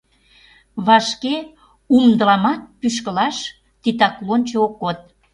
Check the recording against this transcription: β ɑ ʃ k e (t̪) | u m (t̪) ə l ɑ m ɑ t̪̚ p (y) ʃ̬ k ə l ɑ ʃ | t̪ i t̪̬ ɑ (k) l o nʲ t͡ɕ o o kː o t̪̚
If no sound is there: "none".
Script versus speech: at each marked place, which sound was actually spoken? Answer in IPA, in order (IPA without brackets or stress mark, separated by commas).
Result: none, d̪, y, k